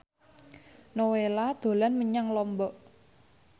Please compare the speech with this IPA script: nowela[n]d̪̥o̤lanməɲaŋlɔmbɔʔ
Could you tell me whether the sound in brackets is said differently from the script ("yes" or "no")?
yes